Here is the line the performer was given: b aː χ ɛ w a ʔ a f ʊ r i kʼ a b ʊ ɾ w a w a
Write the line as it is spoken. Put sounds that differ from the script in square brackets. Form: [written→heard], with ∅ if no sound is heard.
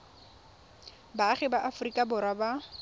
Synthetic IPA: b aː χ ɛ [w→b] a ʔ a f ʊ r i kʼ a b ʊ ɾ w a [w→b] a

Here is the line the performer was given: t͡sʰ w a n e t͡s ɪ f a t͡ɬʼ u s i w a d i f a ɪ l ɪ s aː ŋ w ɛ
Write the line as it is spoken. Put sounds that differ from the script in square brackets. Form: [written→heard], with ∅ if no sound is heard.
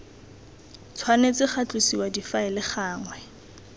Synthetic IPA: t͡sʰ w a n e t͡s ɪ [f→χ] a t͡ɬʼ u s i w a d i f a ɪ l ɪ [s→χ] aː ŋ w ɛ

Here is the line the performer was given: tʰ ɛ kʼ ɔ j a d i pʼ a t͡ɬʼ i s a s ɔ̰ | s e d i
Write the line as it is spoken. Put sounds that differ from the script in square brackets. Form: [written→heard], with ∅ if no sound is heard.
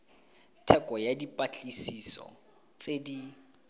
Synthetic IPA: tʰ ɛ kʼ ɔ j a d i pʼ a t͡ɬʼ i s [a→i] s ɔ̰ | [s→t͡s] e d i

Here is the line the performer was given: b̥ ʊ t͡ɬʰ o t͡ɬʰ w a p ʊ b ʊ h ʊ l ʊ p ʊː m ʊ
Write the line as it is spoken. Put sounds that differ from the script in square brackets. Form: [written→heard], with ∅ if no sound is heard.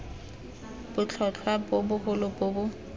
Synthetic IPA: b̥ ʊ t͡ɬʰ [o→ɔ] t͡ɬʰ w a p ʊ b ʊ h ʊ l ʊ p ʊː [m→b] ʊ

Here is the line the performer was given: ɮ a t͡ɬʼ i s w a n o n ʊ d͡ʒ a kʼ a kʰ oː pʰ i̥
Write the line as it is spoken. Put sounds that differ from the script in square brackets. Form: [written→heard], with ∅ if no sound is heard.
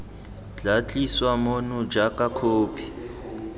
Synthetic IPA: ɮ a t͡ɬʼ i s w a [n→m] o n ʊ d͡ʒ a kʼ a kʰ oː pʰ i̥

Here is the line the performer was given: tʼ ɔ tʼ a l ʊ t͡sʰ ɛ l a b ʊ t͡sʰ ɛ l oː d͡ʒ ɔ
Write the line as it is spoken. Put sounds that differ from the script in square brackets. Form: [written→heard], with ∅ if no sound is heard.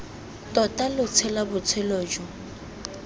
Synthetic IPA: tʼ ɔ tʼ a l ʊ t͡sʰ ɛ l a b ʊ t͡sʰ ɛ l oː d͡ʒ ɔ

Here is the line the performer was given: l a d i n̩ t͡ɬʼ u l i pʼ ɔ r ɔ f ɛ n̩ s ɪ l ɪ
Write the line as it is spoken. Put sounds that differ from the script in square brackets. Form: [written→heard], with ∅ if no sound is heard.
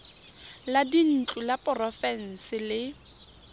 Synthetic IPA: l a d i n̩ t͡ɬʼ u l [i→a] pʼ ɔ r ɔ f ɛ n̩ s ɪ l ɪ

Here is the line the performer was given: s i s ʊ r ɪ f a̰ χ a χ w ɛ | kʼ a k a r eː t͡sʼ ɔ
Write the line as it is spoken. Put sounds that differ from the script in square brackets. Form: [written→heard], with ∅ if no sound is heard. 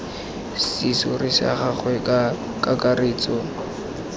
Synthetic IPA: s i s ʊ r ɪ [f→s] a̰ χ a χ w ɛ | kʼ a k a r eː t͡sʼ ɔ

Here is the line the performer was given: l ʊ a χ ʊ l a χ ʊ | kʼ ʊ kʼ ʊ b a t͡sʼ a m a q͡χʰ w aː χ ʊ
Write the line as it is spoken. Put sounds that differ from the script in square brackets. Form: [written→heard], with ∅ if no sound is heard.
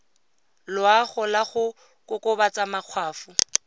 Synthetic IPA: l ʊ a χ ʊ l a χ ʊ | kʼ ʊ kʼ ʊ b a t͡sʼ a m a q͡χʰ w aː [χ→f] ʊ

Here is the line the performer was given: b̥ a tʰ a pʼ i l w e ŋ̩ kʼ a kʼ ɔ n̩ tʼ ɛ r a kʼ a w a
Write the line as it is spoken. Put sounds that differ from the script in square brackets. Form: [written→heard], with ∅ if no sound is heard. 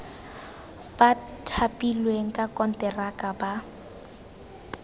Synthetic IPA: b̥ a tʰ a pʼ i l w e ŋ̩ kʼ a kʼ ɔ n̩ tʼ ɛ r a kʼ a [w→b] a

